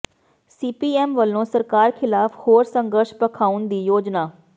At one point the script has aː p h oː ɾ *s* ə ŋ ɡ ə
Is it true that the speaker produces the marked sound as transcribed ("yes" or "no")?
yes